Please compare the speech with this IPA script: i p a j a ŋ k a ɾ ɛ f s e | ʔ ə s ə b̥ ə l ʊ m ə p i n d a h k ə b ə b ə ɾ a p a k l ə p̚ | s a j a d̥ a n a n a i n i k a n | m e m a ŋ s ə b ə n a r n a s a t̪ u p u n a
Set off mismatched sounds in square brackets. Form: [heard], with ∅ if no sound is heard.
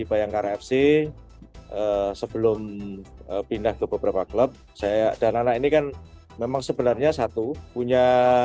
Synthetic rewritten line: i p a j a ŋ k a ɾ ɛ f s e | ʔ ə s ə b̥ ə l ʊ m ə p i n d a h k ə b ə b ə ɾ a p a k l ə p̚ | s a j a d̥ a n a n a i n i k a n | m e m a ŋ s ə b ə n a r [ɲ] a s a t̪ u p u [ɲ] a